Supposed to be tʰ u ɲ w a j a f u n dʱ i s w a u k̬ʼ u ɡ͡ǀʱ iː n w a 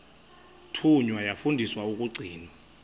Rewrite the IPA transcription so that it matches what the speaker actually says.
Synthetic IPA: tʰ u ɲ w a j a f u n dʱ i s w a u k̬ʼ u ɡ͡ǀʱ iː n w a